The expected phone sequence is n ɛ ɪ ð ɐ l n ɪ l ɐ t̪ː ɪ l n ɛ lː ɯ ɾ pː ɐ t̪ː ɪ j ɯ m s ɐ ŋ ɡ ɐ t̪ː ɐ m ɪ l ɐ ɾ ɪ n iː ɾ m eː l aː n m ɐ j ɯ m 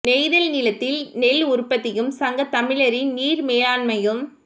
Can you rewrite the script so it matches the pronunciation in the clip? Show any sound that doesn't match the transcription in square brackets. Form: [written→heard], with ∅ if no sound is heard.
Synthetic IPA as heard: n ɛ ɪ ð ɐ l n ɪ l ɐ t̪ː ɪ l n ɛ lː [ɯ→ʊ] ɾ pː ɐ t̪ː ɪ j ɯ m s ɐ ŋ ɡ ɐ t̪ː ɐ m ɪ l ɐ ɾ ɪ n iː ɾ m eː l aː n m ɐ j ɯ m